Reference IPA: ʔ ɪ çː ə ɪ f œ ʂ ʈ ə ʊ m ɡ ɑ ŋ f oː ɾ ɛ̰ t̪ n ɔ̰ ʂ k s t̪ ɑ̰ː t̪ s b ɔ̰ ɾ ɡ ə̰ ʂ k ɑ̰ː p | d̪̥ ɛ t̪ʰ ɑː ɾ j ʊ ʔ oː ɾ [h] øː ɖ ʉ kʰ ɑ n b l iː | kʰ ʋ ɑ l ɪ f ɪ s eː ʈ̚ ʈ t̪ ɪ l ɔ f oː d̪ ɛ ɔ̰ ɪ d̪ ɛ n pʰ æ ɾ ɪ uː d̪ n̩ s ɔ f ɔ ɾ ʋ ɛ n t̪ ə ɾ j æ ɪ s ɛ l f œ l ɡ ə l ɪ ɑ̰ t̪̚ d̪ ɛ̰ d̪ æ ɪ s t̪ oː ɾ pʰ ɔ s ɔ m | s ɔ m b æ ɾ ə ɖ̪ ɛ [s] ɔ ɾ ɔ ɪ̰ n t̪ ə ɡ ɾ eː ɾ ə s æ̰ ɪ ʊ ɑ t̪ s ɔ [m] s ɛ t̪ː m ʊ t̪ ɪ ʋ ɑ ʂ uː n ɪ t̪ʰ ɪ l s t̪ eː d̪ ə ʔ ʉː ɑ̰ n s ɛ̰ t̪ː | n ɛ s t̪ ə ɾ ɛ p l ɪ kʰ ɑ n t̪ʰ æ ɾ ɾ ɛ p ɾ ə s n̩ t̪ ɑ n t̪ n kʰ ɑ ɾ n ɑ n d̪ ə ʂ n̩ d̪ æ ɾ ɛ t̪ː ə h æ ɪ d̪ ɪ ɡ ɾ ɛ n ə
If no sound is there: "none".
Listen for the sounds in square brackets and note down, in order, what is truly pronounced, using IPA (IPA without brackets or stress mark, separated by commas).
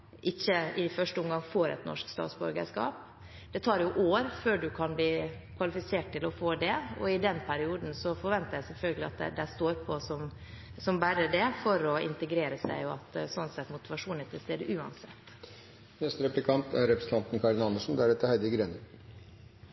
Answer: f, f, n